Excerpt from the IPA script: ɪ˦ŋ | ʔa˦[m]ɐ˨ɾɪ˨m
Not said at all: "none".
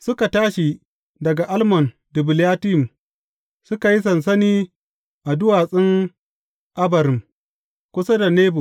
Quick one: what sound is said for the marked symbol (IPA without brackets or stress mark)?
b